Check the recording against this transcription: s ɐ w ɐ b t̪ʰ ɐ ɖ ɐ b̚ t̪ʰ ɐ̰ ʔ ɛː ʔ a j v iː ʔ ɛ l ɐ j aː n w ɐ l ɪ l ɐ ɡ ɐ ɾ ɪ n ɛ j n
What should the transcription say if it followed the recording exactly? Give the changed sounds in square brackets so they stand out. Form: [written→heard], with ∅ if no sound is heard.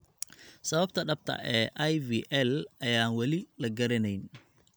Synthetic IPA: s ɐ [w→β] ɐ b t̪ʰ ɐ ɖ ɐ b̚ t̪ʰ ɐ̰ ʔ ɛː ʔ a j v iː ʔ ɛ l ɐ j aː n w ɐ l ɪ l ɐ ɡ ɐ ɾ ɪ n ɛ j n